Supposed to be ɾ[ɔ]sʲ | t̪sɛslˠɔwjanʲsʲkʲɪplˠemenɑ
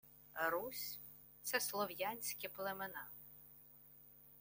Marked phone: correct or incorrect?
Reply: incorrect